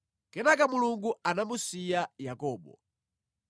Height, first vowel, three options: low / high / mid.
mid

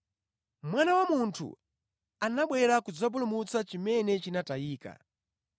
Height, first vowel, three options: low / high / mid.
low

